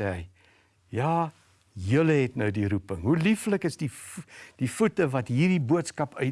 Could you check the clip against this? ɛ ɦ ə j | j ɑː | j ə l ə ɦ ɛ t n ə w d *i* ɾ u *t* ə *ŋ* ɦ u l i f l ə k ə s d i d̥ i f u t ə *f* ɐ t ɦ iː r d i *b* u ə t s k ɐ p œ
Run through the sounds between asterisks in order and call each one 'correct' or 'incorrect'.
correct, incorrect: p, correct, incorrect: v, correct

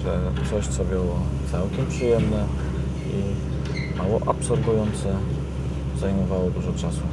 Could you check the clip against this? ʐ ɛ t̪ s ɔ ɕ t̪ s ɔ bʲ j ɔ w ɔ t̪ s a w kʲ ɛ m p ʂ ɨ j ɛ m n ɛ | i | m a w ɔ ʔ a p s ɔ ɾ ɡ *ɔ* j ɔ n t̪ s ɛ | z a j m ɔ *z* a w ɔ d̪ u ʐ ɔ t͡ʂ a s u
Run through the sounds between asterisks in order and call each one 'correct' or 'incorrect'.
incorrect: u, incorrect: v

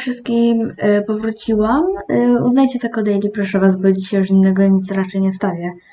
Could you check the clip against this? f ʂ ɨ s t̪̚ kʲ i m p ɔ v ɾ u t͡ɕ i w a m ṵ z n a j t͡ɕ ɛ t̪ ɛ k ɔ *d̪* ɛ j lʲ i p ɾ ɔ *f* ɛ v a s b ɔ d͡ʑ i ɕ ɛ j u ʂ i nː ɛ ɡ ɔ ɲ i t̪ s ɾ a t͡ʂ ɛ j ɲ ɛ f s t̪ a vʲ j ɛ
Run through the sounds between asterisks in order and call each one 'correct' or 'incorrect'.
correct, incorrect: ʂ

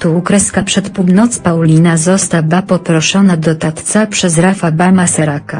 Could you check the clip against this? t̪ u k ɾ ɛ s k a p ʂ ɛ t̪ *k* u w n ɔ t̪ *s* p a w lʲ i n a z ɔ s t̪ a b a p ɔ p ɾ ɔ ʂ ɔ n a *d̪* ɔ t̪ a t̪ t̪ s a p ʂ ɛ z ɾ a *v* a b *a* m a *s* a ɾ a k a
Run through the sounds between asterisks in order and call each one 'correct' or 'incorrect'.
incorrect: p, correct, correct, incorrect: f, correct, correct

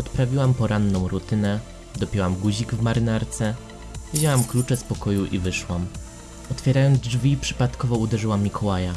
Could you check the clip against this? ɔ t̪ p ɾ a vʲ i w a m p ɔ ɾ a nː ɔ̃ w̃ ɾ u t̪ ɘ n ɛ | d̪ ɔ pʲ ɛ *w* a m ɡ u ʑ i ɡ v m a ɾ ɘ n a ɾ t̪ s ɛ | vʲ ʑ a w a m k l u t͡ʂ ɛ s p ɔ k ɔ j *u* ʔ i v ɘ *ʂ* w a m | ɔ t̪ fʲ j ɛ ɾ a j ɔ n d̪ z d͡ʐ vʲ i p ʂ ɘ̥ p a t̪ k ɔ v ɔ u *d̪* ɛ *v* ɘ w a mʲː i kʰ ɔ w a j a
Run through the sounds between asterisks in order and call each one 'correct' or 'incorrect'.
correct, correct, correct, correct, incorrect: ʐ

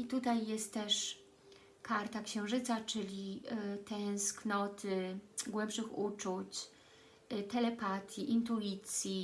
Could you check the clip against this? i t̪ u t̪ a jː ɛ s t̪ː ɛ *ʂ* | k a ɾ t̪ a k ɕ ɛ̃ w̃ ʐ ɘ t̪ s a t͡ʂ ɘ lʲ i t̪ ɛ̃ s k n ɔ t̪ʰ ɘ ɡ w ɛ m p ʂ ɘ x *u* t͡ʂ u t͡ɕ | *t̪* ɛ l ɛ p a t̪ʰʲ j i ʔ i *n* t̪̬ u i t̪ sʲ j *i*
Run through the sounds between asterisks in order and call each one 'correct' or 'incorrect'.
correct, correct, correct, correct, correct

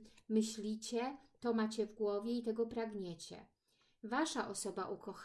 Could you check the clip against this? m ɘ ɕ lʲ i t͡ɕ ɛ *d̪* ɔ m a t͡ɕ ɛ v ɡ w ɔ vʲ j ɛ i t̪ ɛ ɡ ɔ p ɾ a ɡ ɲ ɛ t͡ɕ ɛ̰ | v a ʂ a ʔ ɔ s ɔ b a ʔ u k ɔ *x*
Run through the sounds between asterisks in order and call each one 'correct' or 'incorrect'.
incorrect: t̪, correct

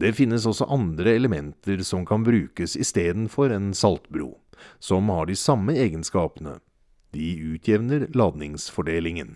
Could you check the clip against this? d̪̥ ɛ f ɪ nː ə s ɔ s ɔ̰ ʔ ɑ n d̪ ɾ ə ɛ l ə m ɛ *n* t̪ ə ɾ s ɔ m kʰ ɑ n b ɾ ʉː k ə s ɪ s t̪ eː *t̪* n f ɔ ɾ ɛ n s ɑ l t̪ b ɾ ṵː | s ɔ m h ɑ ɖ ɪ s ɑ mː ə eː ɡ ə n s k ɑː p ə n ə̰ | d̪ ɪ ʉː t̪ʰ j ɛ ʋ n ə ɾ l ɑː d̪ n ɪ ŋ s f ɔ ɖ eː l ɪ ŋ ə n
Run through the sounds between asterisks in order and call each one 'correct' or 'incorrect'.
correct, incorrect: d̪

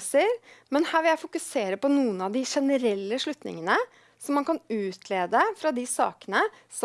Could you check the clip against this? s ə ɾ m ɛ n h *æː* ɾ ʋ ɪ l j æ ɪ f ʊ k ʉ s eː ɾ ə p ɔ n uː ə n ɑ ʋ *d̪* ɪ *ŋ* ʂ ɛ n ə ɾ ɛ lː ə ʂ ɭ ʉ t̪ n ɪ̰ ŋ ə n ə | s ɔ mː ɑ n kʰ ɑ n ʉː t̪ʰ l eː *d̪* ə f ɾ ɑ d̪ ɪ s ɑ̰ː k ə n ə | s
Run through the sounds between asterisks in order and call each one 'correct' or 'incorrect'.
correct, correct, incorrect: none, correct

